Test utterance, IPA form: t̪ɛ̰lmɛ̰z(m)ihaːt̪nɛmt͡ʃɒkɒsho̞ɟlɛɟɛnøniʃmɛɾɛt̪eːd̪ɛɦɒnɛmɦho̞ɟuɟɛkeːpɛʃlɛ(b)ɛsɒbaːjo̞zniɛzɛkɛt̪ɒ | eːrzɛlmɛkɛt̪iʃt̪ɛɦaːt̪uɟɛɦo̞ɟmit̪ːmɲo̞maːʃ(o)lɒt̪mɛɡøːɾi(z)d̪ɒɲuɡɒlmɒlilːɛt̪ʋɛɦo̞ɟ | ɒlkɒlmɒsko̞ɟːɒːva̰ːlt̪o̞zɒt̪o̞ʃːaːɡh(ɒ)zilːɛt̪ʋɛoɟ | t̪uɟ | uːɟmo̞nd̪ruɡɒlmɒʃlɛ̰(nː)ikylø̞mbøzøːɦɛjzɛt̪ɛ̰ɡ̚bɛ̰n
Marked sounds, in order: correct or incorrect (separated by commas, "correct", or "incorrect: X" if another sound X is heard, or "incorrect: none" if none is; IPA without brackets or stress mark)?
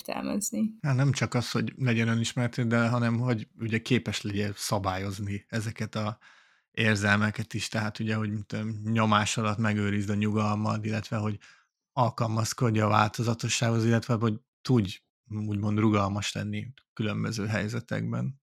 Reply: incorrect: n, incorrect: ɟ, incorrect: ɒ, correct, incorrect: o, correct